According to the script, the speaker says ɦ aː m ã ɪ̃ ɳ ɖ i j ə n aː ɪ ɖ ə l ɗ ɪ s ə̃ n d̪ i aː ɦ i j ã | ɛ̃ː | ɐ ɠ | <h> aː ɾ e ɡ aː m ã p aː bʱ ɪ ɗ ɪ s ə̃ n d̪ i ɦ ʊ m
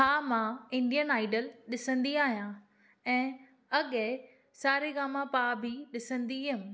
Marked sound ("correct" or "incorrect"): incorrect